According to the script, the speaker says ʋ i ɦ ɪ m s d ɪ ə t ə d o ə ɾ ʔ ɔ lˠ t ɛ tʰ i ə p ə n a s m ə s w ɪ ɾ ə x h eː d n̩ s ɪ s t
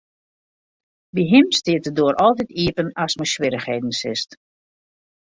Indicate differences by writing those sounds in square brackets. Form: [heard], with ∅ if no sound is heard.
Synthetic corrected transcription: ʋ i ɦ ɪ m s [t] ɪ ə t ə d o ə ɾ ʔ ɔ lˠ t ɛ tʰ i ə p ə n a s m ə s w ɪ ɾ ə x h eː d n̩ s ɪ s t

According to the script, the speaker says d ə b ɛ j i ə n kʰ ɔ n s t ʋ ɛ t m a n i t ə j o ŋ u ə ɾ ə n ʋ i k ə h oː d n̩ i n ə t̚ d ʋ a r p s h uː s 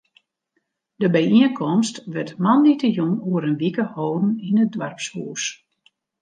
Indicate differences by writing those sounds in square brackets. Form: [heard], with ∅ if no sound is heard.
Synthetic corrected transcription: d ə b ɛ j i ə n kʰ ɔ [m] s t ʋ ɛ t m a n i t ə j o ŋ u ə ɾ ə n ʋ i k ə h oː d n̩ i n ə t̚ d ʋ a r p s h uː s

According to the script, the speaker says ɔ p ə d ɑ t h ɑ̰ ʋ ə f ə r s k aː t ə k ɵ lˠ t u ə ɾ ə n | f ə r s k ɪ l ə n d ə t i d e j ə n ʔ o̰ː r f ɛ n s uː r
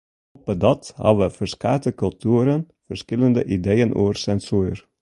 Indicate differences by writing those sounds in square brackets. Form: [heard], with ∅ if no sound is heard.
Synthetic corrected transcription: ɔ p ə d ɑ t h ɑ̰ ʋ ə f ə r s k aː t ə k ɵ lˠ t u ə ɾ ə n | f ə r s k ɪ l ə n d ə [ʔ] i d e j ə n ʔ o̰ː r [s] ɛ n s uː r

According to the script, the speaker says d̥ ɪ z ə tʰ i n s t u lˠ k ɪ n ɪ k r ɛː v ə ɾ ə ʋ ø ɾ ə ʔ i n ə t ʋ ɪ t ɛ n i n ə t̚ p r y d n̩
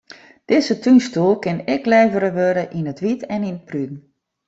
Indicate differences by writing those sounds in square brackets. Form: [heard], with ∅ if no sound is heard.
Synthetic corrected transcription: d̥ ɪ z ə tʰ [y] n s t u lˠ k ɪ n ɪ k [l] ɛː v ə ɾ ə ʋ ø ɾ ə ʔ i n ə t ʋ [i] t ɛ n i n ə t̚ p r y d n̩

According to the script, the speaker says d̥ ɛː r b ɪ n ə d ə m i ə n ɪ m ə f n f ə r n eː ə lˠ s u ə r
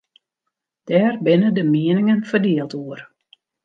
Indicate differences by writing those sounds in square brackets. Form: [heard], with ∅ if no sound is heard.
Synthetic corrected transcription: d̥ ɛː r b ɪ n ə d ə m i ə n ɪ [ŋ] ə [∅] n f ə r [d] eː ə lˠ [t] u ə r

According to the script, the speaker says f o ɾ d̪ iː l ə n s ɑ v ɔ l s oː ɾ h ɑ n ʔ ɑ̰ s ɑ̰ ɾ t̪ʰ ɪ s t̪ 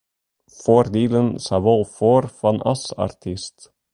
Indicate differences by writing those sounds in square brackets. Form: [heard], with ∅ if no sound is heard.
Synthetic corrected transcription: f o ɾ d̪ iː l ə n s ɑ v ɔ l [f] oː ɾ [f] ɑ n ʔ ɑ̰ s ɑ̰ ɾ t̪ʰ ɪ s t̪

